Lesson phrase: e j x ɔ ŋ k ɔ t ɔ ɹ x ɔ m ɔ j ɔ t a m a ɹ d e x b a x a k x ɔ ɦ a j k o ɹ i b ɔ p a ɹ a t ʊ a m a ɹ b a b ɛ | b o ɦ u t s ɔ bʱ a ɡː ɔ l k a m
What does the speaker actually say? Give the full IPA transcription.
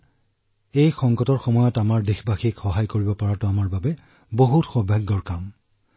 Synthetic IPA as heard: e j x ɔ ŋ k ɔ t ɔ ɹ x ɔ m ɔ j ɔ t a m a ɹ d e x b a x i k x ɔ ɦ a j k o ɹ i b ɔ p a ɹ a t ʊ a m a ɹ b a b ɛ | b o ɦ u t x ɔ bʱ a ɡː ɔ ɹ k a m